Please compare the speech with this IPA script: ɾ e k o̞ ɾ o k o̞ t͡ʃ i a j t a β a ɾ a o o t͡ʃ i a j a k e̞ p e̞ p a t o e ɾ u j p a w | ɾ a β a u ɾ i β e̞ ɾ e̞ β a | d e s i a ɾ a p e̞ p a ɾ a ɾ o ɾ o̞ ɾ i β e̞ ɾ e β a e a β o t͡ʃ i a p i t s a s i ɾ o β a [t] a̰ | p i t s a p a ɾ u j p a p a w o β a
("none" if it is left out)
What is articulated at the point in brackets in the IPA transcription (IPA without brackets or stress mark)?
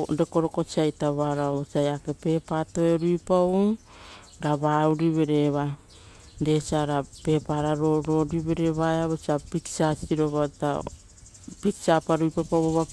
t